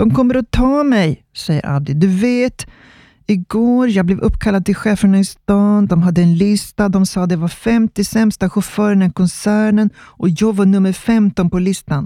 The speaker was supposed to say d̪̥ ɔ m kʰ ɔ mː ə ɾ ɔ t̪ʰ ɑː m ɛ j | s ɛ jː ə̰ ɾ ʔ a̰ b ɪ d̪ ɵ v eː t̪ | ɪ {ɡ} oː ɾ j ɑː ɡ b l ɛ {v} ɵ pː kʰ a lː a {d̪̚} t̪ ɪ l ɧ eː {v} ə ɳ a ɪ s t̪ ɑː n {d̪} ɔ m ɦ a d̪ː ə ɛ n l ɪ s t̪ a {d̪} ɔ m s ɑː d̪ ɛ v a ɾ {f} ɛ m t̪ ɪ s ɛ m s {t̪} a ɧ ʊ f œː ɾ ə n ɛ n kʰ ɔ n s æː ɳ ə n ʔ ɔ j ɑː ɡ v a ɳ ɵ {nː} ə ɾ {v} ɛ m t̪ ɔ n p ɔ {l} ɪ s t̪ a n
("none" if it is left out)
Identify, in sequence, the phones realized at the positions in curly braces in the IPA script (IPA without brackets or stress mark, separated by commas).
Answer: ɡ, v, d̪̚, f, d̪, d̪, f, t̪, mː, f, l